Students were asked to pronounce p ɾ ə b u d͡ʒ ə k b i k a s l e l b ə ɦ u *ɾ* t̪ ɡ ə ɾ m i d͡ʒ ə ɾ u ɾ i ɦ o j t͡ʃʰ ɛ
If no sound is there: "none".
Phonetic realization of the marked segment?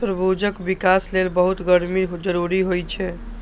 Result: none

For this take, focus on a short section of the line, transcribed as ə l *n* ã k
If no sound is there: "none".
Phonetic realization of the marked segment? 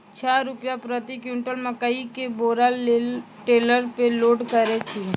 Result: m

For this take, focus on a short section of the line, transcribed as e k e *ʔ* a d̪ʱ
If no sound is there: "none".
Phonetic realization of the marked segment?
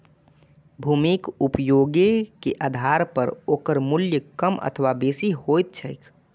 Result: ʔ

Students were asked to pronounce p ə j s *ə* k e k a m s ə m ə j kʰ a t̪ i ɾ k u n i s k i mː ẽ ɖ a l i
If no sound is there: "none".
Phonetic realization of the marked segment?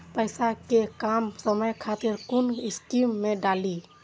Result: a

